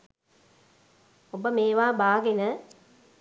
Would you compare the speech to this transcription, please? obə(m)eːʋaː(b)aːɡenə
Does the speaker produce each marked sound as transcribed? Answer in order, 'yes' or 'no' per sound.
yes, yes

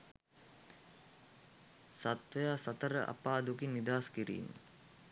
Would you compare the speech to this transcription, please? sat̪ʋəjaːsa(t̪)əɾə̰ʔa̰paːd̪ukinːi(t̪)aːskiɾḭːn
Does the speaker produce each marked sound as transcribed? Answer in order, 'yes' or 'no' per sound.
yes, no

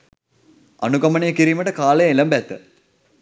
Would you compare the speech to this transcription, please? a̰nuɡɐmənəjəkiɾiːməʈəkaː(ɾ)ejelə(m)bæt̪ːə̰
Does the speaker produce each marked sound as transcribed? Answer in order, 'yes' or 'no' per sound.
no, yes

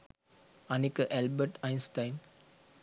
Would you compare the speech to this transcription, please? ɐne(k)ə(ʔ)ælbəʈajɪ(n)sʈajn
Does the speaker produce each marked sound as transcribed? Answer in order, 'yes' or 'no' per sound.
yes, yes, yes

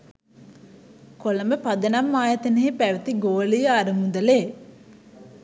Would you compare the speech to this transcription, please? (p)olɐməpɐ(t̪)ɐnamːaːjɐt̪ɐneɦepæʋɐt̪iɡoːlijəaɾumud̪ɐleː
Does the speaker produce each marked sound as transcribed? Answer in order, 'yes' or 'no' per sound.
no, no

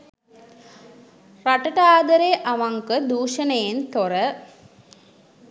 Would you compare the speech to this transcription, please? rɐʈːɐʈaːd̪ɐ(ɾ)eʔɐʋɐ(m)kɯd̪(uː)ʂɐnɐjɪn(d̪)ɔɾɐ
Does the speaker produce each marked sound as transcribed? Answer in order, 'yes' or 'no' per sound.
yes, no, yes, no

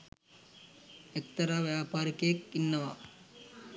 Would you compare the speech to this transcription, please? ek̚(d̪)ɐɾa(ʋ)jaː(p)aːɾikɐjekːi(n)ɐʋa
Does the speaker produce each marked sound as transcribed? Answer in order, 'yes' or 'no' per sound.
no, yes, yes, no

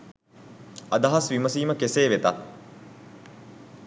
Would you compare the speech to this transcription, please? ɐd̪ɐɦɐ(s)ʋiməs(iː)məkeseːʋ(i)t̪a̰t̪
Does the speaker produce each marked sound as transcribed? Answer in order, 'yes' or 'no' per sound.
yes, yes, no

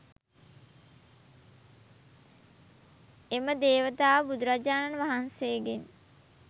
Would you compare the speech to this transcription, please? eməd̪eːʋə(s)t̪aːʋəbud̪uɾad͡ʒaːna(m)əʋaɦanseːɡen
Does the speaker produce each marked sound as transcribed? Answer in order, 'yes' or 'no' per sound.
no, no

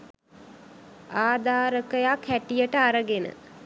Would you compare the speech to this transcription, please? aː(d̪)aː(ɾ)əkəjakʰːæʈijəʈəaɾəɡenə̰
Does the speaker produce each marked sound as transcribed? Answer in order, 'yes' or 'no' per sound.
yes, yes

